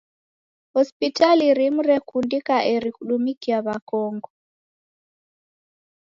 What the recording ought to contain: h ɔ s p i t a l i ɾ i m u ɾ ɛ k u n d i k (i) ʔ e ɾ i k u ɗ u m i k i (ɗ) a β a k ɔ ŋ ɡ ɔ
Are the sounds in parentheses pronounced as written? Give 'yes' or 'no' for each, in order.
no, no

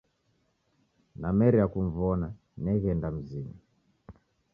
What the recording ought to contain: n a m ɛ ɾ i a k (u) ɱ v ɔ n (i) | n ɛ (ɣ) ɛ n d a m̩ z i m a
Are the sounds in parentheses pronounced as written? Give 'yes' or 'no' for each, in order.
yes, no, yes

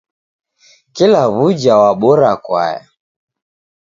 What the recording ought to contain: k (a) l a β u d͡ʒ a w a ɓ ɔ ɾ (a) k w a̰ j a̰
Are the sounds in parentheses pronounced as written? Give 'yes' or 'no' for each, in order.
no, yes

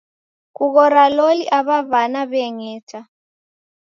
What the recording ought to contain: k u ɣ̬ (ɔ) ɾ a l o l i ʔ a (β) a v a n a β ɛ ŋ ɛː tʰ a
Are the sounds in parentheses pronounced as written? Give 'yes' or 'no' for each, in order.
yes, yes

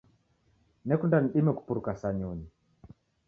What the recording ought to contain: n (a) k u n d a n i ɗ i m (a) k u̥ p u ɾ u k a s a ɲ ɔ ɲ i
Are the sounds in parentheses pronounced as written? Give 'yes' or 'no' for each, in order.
no, no

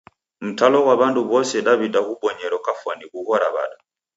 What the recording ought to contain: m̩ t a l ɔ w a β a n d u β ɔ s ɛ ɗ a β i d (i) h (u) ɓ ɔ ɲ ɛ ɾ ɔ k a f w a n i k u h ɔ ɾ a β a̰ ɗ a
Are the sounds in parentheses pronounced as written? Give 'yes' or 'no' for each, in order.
no, yes

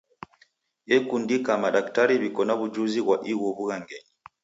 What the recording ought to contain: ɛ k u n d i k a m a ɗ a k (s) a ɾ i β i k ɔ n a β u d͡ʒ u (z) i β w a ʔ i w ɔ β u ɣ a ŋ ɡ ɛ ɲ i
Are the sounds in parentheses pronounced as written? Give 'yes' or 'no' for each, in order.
no, yes

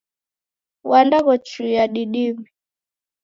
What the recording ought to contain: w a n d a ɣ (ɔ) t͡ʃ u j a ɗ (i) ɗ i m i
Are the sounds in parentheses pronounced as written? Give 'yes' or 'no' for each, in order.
yes, yes

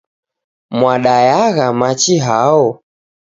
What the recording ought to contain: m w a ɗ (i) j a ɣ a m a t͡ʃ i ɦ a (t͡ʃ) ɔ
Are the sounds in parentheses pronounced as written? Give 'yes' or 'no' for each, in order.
no, no

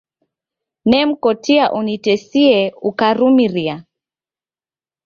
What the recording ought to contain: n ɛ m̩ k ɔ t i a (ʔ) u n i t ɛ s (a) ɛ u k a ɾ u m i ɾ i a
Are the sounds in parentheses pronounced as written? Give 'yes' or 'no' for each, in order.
yes, no

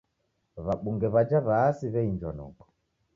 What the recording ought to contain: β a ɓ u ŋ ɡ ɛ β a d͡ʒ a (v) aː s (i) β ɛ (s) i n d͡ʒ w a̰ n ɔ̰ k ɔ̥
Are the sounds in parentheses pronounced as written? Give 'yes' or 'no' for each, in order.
no, yes, no

